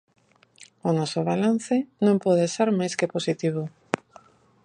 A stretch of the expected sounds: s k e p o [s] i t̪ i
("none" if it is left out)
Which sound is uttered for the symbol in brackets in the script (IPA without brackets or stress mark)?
s